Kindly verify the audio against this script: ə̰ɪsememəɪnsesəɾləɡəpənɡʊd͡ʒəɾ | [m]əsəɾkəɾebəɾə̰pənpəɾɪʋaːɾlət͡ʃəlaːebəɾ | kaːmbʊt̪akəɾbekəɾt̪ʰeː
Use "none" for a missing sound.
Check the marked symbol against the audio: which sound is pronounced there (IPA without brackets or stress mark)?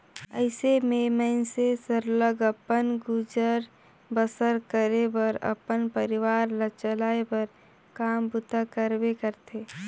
b